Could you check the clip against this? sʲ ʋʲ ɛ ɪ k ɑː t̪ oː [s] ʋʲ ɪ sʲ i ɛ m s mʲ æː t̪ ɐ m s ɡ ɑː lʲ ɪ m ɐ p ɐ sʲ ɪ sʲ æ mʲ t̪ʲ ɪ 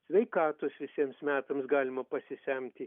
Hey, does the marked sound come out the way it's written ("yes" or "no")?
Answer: yes